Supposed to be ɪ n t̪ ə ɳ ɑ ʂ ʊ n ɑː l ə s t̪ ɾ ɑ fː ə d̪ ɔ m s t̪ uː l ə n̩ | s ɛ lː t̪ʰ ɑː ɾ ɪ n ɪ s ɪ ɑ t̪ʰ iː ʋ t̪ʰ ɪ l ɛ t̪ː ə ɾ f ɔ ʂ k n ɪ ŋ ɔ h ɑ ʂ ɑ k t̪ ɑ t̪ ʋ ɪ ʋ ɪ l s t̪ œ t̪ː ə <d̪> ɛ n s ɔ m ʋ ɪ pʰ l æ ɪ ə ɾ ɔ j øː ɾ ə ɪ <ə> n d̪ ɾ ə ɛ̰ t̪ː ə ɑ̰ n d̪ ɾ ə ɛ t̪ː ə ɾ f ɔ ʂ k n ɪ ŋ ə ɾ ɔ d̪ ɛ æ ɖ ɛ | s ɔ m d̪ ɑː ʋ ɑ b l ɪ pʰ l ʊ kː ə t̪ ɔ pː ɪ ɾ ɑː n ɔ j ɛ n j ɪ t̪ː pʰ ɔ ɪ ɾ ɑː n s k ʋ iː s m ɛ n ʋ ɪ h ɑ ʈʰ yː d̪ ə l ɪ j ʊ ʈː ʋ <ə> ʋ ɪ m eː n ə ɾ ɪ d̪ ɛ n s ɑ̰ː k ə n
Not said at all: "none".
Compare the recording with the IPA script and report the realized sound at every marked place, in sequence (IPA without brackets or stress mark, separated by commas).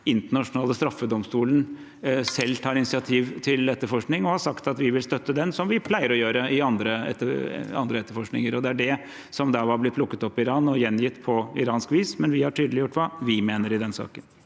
d̪, ɑ, ɑ